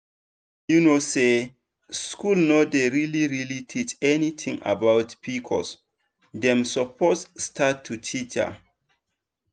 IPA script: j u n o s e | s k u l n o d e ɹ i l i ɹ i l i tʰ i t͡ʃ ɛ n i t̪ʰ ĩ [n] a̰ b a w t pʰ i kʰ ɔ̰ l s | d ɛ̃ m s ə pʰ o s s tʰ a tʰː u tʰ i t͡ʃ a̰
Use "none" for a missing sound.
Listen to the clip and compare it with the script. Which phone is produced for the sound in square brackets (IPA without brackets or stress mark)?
ŋ